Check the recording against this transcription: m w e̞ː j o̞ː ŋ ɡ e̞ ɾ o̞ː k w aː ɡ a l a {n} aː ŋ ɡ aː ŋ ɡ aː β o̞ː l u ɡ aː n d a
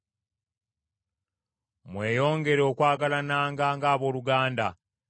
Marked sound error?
no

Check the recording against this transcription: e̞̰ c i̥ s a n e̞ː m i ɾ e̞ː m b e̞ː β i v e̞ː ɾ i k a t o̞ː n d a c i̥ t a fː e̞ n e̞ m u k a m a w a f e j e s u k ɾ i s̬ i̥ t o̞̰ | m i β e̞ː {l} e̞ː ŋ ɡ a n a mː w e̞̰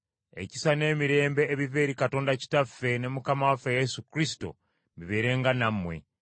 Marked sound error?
yes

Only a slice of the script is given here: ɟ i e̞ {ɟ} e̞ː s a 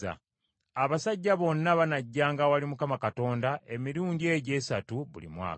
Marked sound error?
no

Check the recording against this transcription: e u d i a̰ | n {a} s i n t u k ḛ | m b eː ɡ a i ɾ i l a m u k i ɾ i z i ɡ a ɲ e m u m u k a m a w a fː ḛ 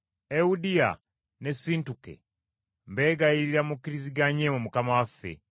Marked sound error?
yes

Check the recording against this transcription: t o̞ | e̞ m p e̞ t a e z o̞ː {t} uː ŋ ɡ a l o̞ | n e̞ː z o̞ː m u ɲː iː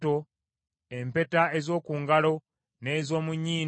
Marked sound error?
yes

